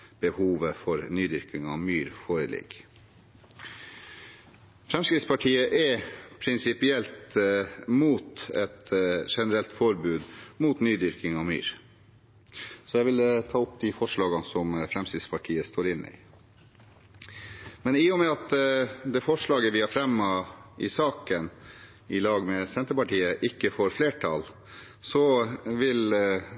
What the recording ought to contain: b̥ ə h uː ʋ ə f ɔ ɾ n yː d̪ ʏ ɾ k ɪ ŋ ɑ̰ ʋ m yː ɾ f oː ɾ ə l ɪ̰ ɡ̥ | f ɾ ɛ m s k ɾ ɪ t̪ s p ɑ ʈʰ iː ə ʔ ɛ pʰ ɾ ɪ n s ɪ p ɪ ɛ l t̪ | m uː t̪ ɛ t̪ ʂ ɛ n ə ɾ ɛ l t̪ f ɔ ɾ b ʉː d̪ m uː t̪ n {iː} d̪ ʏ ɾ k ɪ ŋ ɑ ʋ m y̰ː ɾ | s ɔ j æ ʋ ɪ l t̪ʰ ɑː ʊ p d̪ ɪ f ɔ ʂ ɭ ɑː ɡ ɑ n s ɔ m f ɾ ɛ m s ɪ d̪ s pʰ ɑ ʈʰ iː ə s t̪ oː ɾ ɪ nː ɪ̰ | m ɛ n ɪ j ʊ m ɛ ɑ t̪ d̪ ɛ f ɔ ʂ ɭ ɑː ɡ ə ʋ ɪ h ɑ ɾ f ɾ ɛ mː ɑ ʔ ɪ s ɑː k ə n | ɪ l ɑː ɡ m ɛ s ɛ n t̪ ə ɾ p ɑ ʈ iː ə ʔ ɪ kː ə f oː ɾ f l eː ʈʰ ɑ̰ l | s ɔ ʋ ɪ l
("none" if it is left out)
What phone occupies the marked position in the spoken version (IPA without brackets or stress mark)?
yː